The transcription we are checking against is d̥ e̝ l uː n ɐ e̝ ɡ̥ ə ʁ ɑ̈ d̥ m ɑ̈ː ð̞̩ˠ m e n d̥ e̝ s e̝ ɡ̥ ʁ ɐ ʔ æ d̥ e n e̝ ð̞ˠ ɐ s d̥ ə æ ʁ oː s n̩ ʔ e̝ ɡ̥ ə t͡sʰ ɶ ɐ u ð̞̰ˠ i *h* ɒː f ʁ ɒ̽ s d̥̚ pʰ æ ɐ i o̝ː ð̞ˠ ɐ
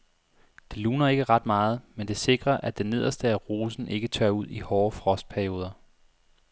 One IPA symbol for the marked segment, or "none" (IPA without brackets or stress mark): h